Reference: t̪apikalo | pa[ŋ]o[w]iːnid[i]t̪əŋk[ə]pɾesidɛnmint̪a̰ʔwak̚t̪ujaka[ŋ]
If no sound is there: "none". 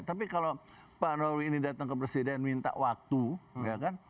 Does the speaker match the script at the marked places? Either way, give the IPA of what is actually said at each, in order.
n, w, a, ə, n

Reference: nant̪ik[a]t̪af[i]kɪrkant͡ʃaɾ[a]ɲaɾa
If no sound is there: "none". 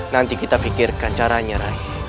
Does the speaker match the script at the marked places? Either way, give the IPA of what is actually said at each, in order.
i, i, a

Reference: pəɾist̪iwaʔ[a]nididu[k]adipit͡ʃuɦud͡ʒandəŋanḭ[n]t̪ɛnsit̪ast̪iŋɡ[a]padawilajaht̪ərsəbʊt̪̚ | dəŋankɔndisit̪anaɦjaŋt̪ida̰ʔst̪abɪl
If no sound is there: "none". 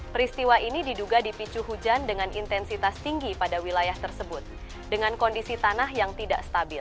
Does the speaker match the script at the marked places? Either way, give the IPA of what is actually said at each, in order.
i, ɡ, n, i

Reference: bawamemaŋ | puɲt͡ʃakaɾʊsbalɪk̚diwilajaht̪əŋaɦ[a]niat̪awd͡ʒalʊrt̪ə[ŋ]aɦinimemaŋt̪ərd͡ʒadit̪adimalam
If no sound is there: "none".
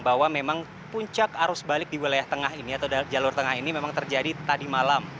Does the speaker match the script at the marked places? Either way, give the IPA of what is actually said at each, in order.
i, ŋ

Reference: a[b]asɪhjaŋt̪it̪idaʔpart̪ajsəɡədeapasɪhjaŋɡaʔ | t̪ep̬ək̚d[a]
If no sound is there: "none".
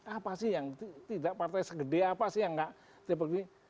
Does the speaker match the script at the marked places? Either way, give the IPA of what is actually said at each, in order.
p, i

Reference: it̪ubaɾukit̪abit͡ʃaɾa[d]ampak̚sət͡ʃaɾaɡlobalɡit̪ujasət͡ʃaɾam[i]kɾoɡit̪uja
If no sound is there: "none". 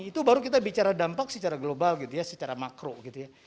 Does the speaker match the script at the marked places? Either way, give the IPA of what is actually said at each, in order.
d, a

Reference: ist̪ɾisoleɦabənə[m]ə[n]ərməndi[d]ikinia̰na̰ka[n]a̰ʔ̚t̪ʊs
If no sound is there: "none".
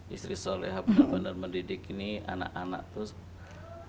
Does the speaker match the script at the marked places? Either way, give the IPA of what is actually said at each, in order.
b, n, d, n

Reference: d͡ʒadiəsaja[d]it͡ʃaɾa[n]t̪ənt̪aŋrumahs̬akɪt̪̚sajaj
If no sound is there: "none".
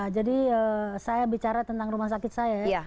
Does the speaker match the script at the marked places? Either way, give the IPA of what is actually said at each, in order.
b, none

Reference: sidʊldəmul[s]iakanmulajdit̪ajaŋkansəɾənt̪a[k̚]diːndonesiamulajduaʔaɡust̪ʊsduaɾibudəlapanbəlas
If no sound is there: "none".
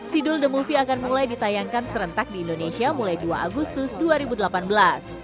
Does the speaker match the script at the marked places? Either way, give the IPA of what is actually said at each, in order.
f, k̚

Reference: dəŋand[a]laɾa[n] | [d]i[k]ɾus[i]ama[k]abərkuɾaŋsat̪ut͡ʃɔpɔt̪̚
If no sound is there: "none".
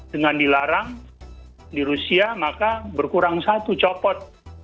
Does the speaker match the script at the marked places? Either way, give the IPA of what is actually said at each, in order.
i, ŋ, d, none, i, k

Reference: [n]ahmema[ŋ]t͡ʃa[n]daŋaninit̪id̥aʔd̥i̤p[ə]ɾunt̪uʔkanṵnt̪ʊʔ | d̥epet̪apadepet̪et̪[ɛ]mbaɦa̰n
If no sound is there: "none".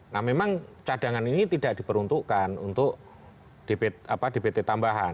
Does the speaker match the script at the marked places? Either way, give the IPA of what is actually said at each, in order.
n, ŋ, none, ə, a

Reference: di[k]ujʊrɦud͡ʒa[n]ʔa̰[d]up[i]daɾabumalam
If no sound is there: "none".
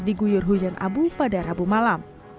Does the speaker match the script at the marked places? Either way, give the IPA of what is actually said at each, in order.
ɡ, n, b, a

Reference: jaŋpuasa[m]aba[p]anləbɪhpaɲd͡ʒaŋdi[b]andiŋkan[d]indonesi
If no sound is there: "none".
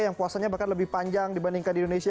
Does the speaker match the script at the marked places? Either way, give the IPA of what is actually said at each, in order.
ɲ, k, b, d

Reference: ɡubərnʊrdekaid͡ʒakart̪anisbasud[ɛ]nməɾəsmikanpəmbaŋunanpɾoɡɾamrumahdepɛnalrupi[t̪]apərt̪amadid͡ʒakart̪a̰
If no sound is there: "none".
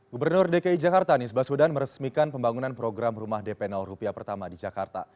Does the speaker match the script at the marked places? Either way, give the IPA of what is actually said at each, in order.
a, none

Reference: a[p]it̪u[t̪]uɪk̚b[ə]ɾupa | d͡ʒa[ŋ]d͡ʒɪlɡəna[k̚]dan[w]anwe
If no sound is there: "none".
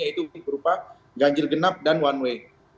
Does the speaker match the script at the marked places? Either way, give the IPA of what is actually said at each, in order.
none, none, ə, ɲ, p̚, w

